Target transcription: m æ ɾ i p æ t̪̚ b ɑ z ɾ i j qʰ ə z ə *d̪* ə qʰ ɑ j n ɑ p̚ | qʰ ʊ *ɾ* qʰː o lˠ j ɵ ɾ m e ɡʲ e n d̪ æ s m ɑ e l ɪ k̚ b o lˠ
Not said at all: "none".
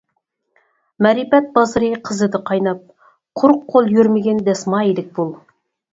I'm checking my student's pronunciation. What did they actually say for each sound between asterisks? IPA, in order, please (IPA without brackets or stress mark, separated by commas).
d̪, ɾ